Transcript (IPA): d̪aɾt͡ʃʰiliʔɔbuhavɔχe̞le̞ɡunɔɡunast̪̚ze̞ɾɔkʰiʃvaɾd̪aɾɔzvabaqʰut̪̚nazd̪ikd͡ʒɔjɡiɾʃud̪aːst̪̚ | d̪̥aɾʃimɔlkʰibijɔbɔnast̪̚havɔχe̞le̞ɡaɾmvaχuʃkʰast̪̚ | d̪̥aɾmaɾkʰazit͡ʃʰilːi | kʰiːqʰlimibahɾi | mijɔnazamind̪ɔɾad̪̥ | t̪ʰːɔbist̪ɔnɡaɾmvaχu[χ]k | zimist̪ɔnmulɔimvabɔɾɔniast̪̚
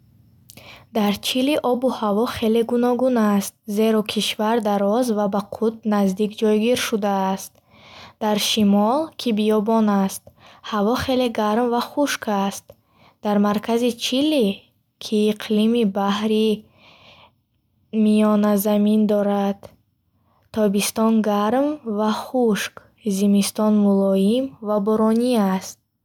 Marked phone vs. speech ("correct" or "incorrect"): incorrect